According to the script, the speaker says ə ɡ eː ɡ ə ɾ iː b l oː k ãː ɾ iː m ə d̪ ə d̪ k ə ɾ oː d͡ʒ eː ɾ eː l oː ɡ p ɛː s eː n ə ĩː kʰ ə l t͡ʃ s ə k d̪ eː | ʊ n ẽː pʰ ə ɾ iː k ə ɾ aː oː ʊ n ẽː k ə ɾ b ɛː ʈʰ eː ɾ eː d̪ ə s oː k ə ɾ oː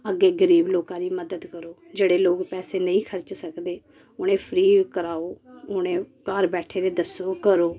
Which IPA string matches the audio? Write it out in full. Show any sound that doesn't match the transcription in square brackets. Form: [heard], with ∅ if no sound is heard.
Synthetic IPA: ə ɡ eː ɡ ə ɾ iː b l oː k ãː ɾ iː m ə d̪ ə d̪ k ə ɾ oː d͡ʒ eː [ɽ] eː l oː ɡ p ɛː s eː n ə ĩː kʰ ə [ɾ] t͡ʃ s ə k d̪ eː | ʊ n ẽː pʰ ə ɾ iː k ə ɾ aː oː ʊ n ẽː k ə ɾ b ɛː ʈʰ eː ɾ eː d̪ ə s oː k ə ɾ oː